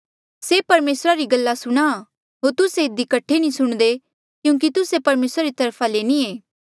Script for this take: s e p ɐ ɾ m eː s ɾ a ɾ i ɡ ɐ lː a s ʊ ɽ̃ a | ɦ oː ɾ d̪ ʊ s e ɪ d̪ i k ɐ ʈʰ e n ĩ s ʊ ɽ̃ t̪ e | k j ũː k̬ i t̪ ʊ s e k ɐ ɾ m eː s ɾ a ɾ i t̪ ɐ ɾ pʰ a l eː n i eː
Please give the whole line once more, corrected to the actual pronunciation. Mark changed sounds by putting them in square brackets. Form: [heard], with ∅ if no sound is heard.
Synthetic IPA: s e p ɐ ɾ m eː s ɾ a ɾ i ɡ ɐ lː a s ʊ ɽ̃ a | ɦ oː ɾ [t̪] ʊ s e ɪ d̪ i k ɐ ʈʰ e n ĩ s ʊ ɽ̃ [d̪] e | k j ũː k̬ i t̪ ʊ s e [p] ɐ ɾ m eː s ɾ a ɾ i t̪ ɐ ɾ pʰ a l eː n i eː